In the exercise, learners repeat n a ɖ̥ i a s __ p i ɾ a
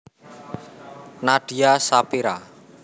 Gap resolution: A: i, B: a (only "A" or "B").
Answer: B